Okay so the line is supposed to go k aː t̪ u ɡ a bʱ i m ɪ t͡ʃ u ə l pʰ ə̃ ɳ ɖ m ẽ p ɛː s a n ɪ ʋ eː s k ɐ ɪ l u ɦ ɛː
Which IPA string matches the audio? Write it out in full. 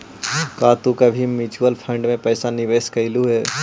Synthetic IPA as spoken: k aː t̪ u k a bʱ i m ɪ t͡ʃ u ə l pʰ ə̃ ɳ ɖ m ẽ p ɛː s a n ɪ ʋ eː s k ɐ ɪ l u ɦ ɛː